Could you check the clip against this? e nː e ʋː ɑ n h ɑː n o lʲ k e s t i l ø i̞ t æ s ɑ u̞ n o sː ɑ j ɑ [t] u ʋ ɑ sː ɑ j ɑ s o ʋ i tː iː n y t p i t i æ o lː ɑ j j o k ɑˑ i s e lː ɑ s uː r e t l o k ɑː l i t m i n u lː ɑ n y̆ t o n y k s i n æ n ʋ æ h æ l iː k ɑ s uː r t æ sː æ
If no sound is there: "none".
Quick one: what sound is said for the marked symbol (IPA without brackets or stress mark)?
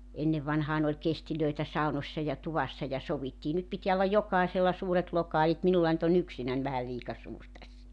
t